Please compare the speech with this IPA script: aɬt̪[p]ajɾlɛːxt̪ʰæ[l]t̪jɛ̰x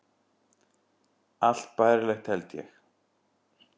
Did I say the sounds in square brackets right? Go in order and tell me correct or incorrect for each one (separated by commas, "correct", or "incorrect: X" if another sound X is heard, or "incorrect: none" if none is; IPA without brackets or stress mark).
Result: correct, correct